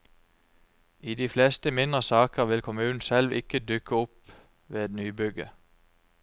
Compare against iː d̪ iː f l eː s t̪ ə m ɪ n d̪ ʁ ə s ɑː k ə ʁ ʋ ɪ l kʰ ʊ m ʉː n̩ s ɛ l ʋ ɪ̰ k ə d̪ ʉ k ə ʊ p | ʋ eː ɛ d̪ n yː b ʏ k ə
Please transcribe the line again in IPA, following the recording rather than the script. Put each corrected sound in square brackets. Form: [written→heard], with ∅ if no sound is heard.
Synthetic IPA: iː d̪ iː f l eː s t̪ ə m ɪ n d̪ ʁ ə s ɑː k ə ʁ ʋ ɪ l kʰ ʊ m ʉː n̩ s ɛ l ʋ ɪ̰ k ə d̪ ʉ k ə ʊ p | ʋ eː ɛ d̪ n yː b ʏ [k→ɡ] ə